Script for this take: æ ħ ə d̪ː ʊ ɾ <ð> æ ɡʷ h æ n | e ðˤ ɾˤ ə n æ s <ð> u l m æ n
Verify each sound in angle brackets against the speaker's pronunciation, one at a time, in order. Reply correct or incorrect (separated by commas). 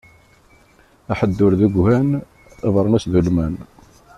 correct, correct